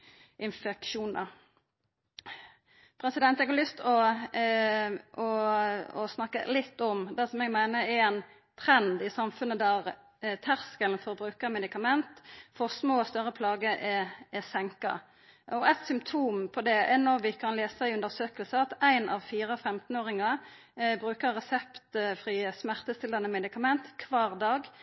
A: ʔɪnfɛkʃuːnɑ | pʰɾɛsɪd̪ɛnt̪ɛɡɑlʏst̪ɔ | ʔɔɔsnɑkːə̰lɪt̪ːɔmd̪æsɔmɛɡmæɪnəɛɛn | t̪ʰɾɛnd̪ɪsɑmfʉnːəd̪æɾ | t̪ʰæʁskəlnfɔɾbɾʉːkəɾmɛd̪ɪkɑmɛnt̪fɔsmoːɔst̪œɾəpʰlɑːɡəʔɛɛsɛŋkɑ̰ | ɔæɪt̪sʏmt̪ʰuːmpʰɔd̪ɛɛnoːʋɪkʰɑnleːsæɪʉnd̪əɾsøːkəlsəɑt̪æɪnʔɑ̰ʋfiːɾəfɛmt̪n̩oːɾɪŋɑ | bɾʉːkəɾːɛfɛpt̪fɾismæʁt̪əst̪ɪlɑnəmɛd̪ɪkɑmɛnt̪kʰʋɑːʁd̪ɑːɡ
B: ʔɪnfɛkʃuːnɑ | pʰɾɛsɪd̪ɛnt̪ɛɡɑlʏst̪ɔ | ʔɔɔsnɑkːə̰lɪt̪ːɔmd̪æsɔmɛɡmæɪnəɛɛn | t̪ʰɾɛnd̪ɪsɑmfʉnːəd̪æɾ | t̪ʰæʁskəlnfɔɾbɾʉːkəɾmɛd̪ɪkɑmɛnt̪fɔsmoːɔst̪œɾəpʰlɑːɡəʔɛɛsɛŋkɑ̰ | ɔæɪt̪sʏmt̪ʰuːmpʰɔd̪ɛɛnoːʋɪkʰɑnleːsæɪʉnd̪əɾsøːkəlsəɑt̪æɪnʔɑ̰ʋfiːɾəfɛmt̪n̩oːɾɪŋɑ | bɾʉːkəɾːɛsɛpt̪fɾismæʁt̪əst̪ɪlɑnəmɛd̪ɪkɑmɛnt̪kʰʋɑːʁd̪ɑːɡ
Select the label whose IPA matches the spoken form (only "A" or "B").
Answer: B